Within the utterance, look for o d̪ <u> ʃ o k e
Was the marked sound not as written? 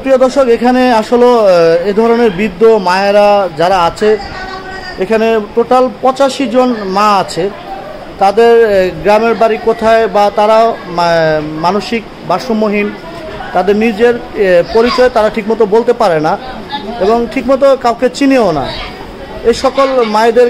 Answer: yes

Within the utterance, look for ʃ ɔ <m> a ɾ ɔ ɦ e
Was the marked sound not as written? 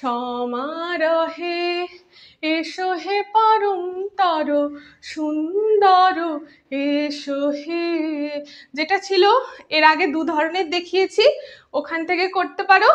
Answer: no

